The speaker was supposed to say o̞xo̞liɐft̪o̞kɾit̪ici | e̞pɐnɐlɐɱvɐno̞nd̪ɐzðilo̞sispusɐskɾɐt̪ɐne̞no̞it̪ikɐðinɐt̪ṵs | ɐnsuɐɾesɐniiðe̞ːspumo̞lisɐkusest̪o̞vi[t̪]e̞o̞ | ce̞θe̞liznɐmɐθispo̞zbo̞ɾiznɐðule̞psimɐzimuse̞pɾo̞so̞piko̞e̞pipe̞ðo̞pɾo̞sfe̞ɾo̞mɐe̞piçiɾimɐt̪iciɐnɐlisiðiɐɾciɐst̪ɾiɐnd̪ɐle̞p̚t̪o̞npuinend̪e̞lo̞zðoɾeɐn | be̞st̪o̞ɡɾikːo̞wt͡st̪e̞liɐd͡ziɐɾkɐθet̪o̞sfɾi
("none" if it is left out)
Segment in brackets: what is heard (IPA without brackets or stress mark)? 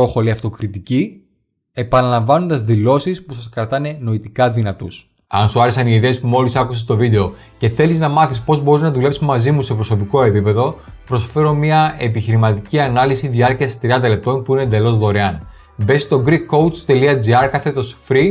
d̪